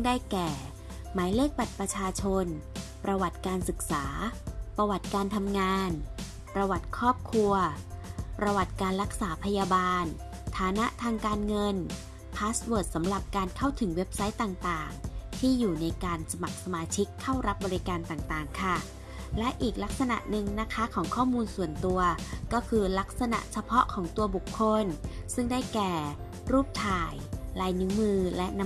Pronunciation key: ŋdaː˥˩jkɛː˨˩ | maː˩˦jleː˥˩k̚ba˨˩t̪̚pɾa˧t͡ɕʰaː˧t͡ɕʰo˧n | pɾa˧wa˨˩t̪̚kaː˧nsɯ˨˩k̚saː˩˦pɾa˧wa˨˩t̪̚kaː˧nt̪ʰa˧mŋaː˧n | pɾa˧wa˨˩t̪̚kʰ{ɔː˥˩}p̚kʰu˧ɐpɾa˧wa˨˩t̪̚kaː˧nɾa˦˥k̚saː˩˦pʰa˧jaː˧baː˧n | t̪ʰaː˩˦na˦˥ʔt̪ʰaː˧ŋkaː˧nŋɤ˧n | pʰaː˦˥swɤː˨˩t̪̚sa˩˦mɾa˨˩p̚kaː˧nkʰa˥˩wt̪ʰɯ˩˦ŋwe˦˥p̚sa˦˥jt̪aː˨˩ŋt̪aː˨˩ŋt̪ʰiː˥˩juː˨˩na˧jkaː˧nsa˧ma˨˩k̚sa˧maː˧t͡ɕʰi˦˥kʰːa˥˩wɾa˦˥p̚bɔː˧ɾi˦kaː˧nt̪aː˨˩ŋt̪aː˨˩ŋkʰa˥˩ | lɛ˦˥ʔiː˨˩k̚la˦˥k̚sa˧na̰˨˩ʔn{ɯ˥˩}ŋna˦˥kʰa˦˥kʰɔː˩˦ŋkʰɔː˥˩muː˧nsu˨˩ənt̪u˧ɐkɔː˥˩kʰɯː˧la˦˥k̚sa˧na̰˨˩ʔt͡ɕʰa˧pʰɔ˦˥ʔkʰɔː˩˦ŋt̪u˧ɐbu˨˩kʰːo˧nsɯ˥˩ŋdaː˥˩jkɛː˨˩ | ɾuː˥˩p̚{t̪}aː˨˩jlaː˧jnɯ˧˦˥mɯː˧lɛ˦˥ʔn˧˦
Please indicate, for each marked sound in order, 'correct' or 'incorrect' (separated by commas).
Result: correct, incorrect, incorrect